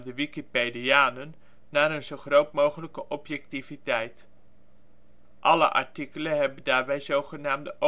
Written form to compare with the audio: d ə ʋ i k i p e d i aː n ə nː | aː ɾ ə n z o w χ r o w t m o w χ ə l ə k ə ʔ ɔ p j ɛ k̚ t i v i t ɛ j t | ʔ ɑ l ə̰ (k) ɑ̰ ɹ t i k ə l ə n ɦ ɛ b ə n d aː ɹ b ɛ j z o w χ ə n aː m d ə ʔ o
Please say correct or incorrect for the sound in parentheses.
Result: incorrect